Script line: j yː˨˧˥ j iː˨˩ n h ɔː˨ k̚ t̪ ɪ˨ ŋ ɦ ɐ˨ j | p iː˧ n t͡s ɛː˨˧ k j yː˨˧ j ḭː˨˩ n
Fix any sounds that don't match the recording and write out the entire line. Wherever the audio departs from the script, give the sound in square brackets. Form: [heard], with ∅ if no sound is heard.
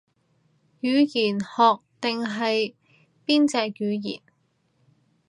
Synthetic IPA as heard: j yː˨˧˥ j iː˨˩ n h ɔː˨ k̚ t̪ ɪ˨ ŋ ɦ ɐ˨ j | p [iː˥] n t͡s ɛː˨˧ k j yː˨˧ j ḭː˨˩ n